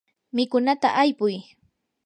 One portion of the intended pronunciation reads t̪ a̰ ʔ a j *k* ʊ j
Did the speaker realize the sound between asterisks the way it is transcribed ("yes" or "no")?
no